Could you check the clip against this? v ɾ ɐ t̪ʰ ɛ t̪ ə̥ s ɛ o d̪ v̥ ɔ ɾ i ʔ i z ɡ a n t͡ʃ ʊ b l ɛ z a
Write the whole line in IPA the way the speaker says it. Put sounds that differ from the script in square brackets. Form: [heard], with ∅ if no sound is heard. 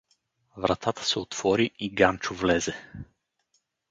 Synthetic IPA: v ɾ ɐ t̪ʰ [a] t̪ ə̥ s ɛ o [t̪] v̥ ɔ ɾ i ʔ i [∅] ɡ a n t͡ʃ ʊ [v] l ɛ z [ɛ]